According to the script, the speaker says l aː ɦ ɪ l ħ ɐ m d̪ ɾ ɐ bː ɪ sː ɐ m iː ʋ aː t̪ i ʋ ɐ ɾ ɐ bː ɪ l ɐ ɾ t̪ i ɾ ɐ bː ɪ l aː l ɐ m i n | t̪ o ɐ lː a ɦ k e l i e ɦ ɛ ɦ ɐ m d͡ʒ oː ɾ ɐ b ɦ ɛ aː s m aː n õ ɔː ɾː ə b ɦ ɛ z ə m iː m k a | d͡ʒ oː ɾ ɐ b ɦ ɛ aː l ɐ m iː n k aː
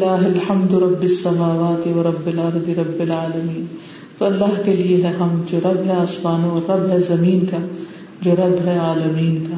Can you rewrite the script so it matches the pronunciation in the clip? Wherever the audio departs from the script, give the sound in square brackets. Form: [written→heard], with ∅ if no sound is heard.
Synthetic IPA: l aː ɦ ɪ l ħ ɐ m d̪ ɾ ɐ bː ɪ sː ɐ m [iː→aː] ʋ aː t̪ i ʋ ɐ ɾ ɐ bː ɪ l ɐ ɾ [t̪→d̪] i ɾ ɐ bː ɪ l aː l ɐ m [i→iː] n | t̪ o ɐ lː a ɦ k e l i e ɦ ɛ ɦ ɐ m d͡ʒ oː ɾ ɐ b ɦ ɛ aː s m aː n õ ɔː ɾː [ə→ɐ] b ɦ ɛ z [ə→ɐ] m iː [m→n] k a | d͡ʒ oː ɾ ɐ b ɦ ɛ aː l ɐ m iː n k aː